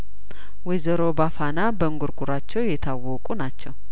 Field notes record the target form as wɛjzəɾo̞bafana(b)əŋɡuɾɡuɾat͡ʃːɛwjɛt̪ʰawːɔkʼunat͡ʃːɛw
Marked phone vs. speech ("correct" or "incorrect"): correct